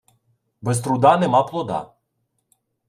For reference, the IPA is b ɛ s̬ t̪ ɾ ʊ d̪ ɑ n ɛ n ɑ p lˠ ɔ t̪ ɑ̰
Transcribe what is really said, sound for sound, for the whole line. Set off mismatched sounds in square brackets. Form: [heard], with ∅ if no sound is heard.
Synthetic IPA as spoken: b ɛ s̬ t̪ ɾ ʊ d̪ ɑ n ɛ [m] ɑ p lˠ ɔ [d̪] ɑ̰